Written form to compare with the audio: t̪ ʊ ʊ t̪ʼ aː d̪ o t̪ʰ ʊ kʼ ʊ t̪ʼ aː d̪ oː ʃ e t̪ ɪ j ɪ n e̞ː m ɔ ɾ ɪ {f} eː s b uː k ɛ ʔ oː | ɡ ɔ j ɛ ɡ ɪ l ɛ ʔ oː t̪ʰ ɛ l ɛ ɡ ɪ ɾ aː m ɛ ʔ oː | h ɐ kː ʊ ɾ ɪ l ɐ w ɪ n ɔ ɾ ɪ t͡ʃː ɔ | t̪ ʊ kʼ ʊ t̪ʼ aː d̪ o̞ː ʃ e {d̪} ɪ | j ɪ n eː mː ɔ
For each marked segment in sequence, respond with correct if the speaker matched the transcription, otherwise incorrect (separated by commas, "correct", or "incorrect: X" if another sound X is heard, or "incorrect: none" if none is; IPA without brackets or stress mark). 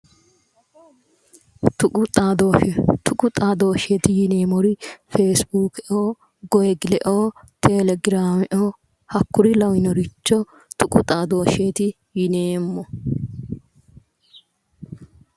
correct, incorrect: t̪